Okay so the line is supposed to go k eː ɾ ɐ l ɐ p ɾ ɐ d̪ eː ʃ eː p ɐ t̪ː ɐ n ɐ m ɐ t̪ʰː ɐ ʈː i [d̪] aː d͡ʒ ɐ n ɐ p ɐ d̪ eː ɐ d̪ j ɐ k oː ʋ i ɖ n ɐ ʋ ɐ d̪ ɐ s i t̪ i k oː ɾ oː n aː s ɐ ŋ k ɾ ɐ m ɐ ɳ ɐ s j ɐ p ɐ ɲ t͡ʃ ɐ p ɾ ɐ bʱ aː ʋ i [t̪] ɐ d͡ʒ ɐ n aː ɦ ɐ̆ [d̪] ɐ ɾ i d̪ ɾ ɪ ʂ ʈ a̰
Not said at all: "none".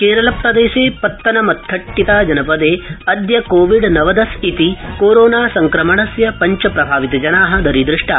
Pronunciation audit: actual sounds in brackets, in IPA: t̪, t̪, d̪

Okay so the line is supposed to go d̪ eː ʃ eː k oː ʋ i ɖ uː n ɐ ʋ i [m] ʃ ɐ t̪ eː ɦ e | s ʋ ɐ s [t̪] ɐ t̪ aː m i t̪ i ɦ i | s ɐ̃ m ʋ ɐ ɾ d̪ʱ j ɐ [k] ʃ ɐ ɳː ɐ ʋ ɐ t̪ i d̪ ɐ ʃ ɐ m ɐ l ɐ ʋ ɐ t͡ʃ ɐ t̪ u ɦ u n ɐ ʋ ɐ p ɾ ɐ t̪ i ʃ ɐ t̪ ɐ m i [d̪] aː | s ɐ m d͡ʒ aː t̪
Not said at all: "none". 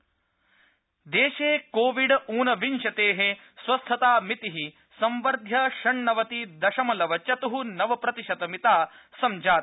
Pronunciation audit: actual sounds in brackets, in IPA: n, t̪ʰ, none, t̪

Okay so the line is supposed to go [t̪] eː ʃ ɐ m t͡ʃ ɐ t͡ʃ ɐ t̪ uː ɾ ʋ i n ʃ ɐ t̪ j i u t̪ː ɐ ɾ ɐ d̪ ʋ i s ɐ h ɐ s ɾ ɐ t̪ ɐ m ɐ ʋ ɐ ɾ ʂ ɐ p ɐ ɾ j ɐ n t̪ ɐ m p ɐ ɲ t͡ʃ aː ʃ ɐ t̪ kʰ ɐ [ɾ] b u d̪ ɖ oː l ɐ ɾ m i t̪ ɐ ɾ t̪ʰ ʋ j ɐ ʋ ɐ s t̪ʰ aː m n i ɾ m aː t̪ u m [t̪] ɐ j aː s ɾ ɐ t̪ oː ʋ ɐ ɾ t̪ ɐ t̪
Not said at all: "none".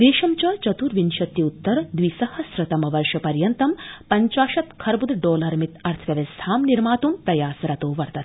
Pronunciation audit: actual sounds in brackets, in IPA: d̪, ɾ, t̪

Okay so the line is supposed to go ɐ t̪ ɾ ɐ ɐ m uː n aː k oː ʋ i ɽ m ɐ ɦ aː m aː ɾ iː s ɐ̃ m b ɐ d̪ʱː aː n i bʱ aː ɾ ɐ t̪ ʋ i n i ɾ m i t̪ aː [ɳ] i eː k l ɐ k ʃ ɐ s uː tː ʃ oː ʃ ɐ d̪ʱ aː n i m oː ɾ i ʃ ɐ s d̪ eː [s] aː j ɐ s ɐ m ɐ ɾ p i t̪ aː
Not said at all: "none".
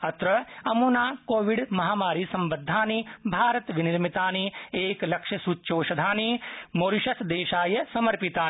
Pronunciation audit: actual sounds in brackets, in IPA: n, ʃ

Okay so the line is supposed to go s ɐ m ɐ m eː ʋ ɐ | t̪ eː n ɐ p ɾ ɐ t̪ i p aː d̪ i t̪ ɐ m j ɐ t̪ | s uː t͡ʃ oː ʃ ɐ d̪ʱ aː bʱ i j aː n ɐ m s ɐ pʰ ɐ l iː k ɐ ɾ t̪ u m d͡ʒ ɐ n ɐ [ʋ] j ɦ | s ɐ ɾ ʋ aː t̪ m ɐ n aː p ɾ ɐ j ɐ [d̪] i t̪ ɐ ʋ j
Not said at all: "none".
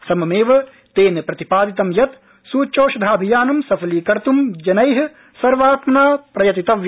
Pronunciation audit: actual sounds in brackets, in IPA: none, t̪

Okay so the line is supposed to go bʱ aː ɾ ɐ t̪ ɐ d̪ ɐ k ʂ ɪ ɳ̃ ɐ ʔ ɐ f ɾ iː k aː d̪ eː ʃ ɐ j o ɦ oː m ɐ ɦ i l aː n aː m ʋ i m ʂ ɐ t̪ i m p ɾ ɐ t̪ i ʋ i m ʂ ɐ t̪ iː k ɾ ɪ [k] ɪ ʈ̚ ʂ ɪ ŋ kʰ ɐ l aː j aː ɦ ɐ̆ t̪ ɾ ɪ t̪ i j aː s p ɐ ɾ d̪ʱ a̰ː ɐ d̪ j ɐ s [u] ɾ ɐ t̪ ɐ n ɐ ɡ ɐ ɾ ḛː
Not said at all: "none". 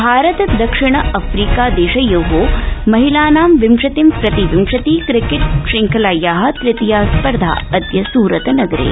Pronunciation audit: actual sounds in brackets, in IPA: k, uː

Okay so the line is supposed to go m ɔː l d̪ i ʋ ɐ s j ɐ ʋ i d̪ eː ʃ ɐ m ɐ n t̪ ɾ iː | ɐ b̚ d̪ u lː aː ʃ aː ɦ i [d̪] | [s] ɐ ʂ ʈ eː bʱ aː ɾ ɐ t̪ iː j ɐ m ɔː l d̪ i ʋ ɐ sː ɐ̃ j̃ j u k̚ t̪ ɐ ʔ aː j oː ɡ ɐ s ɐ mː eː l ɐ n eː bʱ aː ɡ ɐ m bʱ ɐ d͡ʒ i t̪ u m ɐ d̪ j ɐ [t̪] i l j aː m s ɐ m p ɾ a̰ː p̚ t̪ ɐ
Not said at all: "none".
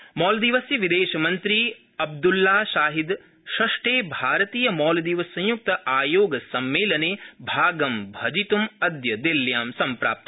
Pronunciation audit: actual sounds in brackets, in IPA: d̪, ʃ, d̪

